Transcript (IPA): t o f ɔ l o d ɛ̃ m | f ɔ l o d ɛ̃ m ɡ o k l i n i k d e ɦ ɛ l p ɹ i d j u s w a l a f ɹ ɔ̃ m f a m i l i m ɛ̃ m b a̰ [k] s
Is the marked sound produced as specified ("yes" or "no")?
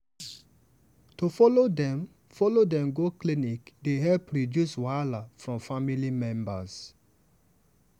no